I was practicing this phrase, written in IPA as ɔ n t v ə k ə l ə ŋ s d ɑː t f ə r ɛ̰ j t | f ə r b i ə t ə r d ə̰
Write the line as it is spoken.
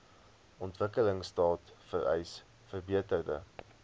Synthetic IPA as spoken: ɔ n t v ə k ə l ə ŋ s t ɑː t f ə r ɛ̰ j s | f ə r b i ə t ə r d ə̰